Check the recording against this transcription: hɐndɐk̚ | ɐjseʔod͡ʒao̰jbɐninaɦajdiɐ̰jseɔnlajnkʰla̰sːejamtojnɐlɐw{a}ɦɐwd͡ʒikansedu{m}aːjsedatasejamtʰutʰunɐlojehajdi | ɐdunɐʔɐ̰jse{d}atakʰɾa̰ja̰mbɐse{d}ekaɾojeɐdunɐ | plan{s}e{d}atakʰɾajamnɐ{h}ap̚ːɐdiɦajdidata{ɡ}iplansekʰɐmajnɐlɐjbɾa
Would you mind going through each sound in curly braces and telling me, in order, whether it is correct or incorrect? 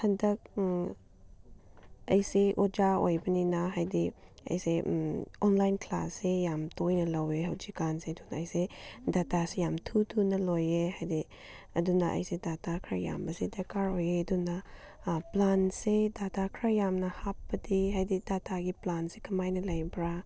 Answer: incorrect, incorrect, correct, correct, correct, correct, correct, correct

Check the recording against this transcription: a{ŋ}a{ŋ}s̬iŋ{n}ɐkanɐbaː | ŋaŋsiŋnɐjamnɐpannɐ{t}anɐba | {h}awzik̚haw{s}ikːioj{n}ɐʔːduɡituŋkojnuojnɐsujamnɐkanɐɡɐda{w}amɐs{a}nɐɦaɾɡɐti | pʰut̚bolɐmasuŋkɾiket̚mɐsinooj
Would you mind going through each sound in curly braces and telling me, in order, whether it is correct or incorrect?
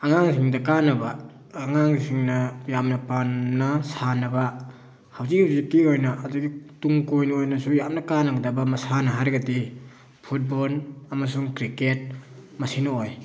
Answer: correct, correct, incorrect, incorrect, correct, incorrect, correct, incorrect, correct

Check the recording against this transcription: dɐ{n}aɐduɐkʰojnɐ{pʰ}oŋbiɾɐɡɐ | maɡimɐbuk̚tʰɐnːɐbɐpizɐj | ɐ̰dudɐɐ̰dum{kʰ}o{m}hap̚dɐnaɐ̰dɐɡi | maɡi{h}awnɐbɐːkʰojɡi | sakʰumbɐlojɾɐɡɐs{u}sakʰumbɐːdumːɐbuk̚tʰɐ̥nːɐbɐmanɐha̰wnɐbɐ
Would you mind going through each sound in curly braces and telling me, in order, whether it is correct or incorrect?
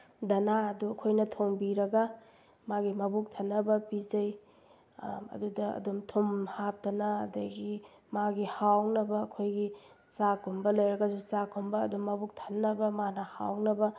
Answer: correct, incorrect, incorrect, correct, correct, correct

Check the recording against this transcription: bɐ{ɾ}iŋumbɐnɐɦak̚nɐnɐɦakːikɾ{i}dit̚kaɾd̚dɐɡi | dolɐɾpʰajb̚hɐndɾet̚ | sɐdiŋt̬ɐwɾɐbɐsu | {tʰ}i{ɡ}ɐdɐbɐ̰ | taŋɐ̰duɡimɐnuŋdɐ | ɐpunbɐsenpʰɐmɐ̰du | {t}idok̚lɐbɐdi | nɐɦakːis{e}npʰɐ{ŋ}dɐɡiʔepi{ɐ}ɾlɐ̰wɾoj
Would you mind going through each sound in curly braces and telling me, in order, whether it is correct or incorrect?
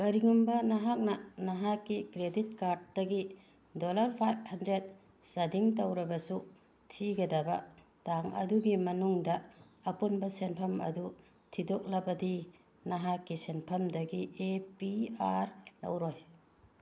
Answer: correct, incorrect, correct, correct, incorrect, correct, incorrect, incorrect

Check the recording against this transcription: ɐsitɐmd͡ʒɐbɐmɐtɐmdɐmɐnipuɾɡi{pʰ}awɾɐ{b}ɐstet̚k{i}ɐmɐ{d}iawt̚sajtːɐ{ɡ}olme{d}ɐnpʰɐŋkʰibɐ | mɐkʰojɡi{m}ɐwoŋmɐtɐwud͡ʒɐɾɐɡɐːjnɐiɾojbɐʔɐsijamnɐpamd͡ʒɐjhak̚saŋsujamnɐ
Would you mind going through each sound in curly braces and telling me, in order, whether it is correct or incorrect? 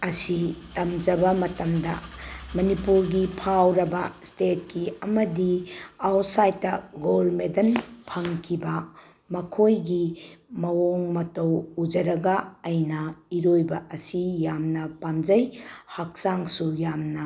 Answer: correct, correct, correct, correct, correct, correct, correct

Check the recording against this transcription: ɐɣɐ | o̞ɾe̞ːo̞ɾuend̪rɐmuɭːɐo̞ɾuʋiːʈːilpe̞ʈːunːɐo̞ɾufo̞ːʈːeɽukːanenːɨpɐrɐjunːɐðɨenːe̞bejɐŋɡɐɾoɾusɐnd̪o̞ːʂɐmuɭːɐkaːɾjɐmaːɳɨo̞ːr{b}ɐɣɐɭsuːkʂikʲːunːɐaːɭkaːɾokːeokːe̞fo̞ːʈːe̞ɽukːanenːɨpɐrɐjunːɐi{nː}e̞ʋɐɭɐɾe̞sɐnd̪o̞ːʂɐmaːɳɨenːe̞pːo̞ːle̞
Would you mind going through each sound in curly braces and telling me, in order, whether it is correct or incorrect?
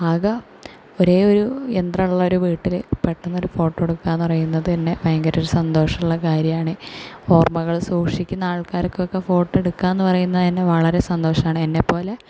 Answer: incorrect, correct

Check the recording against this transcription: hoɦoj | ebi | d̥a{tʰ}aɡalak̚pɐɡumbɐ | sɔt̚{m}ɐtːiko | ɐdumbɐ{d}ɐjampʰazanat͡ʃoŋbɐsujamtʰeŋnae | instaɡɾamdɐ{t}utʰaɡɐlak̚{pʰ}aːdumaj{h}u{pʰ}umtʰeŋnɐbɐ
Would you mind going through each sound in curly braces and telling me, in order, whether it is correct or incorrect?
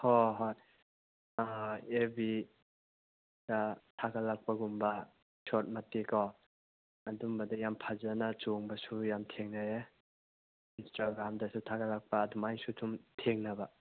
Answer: correct, correct, correct, incorrect, incorrect, incorrect, incorrect

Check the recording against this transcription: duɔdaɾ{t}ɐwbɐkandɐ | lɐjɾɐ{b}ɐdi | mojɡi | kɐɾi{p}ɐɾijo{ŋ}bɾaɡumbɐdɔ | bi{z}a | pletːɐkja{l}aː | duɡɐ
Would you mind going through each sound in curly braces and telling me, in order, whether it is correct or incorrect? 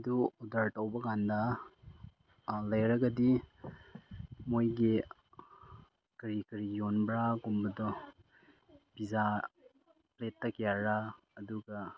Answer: correct, incorrect, incorrect, incorrect, correct, incorrect

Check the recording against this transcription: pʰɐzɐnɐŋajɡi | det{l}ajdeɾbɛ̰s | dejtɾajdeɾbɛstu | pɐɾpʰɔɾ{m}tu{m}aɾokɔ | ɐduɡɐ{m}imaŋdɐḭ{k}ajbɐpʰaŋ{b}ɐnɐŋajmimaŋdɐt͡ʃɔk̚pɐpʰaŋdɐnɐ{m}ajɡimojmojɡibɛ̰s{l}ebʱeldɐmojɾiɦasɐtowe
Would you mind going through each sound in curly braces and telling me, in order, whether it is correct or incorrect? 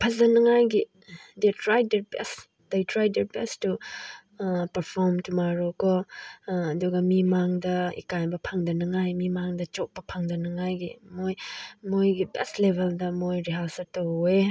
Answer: incorrect, correct, correct, correct, correct, incorrect, incorrect, correct

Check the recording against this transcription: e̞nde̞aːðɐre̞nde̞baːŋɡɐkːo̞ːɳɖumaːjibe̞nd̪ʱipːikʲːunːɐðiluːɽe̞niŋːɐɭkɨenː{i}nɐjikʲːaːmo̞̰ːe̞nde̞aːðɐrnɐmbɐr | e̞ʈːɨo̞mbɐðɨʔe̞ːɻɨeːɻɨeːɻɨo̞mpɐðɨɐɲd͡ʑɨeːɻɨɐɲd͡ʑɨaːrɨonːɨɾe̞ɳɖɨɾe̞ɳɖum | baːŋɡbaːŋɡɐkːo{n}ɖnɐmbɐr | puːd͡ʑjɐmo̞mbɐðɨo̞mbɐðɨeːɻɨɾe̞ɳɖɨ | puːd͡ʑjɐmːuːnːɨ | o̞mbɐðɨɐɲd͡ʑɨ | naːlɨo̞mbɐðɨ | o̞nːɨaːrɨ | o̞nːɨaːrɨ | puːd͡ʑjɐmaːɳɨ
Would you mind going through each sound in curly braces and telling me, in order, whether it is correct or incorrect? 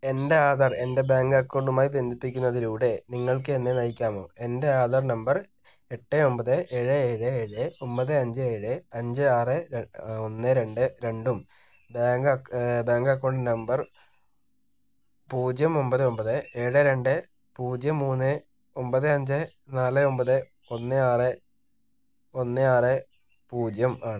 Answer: incorrect, incorrect

